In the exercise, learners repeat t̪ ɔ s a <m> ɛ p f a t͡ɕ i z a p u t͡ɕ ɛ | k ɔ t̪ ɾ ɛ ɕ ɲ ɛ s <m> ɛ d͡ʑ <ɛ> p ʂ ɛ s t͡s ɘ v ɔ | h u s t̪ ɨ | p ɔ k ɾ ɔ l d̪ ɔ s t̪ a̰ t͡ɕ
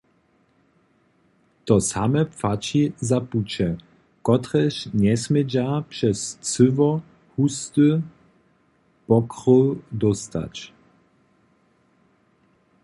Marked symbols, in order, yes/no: yes, yes, no

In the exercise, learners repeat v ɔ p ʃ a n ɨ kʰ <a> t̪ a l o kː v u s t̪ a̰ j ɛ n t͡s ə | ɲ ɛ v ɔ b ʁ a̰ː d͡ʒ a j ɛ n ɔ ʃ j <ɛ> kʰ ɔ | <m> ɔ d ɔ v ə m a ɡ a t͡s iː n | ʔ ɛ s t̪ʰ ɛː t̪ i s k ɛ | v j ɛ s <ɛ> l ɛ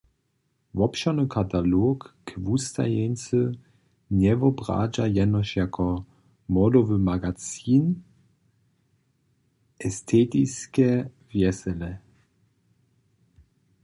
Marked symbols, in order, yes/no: yes, no, yes, yes

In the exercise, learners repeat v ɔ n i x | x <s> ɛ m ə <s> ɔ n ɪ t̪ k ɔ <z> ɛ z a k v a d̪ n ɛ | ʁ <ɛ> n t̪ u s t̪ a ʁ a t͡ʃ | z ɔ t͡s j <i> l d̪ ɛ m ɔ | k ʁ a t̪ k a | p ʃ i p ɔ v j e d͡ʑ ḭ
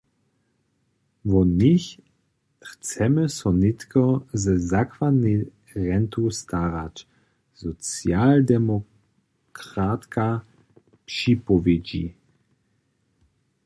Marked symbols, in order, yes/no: no, yes, yes, yes, no

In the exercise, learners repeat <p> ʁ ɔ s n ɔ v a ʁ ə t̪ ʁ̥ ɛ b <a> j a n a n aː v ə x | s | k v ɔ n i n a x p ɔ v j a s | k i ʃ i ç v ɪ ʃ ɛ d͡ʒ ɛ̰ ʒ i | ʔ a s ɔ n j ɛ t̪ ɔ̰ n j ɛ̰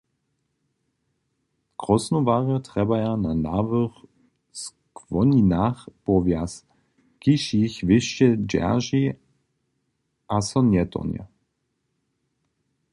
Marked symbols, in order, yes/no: no, yes

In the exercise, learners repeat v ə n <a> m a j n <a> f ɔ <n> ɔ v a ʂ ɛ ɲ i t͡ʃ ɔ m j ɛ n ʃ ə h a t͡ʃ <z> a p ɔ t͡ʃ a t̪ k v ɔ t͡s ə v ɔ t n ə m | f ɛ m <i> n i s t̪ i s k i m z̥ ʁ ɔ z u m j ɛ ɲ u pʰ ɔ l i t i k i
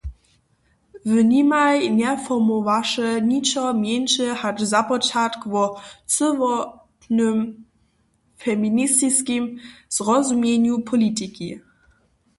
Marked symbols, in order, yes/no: no, no, no, yes, yes

